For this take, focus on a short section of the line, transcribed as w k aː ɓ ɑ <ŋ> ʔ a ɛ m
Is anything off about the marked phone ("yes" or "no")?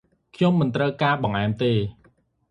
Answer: no